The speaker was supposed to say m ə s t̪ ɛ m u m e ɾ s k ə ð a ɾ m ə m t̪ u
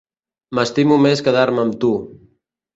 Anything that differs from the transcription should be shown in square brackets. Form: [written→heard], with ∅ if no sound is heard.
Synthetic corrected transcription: m ə s t̪ [ɛ→i] m u m e [ɾ→∅] s k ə ð a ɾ m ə m t̪ u